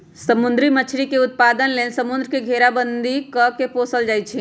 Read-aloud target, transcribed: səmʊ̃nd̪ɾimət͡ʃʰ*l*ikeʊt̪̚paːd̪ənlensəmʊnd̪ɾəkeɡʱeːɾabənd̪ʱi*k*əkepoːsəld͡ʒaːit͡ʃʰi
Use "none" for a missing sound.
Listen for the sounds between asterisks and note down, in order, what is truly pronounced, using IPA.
ɾ, k

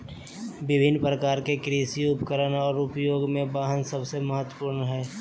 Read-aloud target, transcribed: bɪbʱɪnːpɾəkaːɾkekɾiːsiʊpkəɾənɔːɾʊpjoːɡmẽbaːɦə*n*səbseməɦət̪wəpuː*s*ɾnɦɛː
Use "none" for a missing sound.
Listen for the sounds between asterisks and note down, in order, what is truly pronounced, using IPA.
n, none

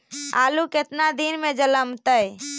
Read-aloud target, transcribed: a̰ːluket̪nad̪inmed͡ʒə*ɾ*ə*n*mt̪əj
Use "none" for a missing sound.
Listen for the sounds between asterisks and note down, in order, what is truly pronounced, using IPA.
l, none

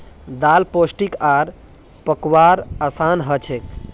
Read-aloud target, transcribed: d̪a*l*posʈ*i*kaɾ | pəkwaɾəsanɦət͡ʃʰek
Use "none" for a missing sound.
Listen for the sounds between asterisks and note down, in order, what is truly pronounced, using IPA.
l, i

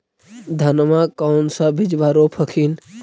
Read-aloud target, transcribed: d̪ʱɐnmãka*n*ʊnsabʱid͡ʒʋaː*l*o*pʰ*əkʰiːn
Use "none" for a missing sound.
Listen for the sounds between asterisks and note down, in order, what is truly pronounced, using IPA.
none, ɾ, pʰ

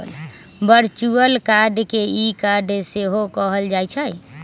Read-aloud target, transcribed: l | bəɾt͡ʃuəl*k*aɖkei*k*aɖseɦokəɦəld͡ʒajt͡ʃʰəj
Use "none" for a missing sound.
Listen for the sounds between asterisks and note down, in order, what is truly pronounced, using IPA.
k, k

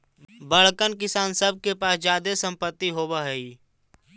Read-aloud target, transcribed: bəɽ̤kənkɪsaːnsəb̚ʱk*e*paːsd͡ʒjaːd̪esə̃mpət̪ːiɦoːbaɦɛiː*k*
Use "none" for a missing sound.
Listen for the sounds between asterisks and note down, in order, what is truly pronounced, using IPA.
e, none

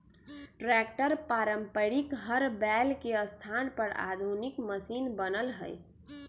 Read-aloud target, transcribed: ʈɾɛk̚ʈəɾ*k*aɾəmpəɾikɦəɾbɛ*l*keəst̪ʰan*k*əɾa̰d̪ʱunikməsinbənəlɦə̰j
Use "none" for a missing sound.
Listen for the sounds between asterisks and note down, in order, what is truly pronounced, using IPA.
p, l, p

